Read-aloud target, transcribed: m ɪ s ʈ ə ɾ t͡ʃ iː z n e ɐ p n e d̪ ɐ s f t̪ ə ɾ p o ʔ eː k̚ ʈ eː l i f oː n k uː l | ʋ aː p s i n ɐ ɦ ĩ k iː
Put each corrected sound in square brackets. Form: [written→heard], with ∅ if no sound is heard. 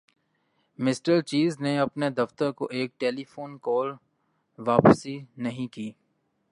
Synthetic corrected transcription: m ɪ s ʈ ə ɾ t͡ʃ iː z n e ɐ p n e d̪ ɐ [s→∅] f t̪ ə ɾ [p→k] o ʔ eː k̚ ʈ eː l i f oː n k [uː→ɔː] l | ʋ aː p s i n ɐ ɦ ĩ k iː